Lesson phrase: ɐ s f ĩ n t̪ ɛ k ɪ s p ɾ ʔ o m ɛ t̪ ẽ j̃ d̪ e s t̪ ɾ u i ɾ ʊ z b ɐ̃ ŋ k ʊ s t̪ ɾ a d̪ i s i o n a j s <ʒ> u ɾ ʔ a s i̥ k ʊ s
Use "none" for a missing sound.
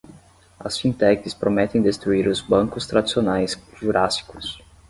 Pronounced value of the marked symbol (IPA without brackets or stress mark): ʒ